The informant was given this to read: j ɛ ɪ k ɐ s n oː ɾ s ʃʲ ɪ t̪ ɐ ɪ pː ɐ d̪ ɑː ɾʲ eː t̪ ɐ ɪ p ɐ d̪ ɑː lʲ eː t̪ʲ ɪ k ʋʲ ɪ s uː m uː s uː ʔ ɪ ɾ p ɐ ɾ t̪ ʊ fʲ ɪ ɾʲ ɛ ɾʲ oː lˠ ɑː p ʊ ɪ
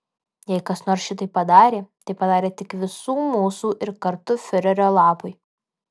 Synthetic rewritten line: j ɛ ɪ k ɐ s n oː ɾ s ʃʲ ɪ t̪ ɐ ɪ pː ɐ d̪ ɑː ɾʲ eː t̪ ɐ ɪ p ɐ d̪ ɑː ɾʲ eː t̪ʲ ɪ k ʋʲ ɪ s uː m uː s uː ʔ ɪ ɾ k ɐ ɾ t̪ ʊ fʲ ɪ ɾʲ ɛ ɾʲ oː lˠ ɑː p ʊ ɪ